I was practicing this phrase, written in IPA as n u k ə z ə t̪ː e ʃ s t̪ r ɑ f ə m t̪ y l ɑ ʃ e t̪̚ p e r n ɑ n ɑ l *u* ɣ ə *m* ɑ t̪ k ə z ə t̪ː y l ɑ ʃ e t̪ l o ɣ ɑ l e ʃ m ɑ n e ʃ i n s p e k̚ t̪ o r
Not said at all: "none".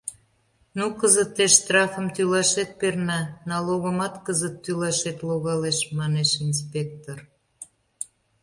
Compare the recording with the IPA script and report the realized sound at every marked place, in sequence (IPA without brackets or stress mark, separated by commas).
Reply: o, m